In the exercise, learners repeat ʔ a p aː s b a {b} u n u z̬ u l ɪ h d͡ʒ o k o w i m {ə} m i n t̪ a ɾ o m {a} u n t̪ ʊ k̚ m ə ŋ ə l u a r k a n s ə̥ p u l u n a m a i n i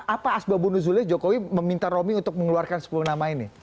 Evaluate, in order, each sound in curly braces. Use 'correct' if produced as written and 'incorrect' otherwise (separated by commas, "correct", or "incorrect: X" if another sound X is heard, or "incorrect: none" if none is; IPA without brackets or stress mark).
correct, correct, incorrect: i